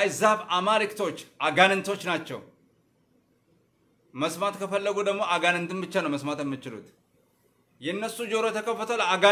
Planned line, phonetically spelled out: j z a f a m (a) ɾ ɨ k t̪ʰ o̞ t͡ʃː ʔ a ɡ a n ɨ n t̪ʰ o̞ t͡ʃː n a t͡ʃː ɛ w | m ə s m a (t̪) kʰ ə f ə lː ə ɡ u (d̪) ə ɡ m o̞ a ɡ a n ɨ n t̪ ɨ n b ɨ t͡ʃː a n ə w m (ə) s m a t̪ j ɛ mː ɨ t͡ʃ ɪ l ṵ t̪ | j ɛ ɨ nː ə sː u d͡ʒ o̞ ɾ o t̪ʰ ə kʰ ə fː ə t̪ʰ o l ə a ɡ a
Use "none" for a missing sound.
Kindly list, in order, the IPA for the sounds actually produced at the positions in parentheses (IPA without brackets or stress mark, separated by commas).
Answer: a, t̪, d̪, ə